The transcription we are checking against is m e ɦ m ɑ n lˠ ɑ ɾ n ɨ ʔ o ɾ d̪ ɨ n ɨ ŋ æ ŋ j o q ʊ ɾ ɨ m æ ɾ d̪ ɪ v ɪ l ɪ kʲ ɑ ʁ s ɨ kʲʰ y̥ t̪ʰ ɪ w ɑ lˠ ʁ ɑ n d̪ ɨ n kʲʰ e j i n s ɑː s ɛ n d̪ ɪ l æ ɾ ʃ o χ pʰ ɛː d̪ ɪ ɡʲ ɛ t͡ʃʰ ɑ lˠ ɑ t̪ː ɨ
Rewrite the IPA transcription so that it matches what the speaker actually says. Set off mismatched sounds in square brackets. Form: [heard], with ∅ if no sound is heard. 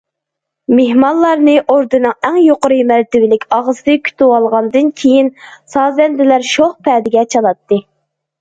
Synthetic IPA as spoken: m e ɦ m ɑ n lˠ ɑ ɾ n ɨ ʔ o ɾ d̪ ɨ n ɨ ŋ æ ŋ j o q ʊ ɾ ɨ m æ ɾ [t̪] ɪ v ɪ l ɪ kʲ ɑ ʁ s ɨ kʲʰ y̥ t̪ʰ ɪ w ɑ lˠ ʁ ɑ n d̪ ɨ n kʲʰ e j i n s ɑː [z] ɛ n d̪ ɪ l æ ɾ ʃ o χ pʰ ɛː d̪ ɪ ɡʲ ɛ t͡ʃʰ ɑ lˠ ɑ t̪ː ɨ

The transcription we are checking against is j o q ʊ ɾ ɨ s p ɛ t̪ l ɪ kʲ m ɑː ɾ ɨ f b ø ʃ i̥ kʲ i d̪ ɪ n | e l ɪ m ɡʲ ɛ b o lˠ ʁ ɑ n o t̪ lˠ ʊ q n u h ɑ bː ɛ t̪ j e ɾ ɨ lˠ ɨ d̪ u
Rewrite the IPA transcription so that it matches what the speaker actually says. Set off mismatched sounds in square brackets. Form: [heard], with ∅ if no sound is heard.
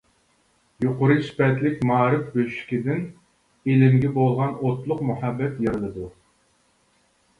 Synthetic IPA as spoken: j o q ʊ ɾ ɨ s p ɛ t̪ l ɪ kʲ m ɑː ɾ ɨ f b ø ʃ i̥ kʲ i d̪ ɪ n | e l ɪ m ɡʲ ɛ b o lˠ ʁ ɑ n o t̪ lˠ ʊ q [m] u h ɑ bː ɛ t̪ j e ɾ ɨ lˠ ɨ d̪ u

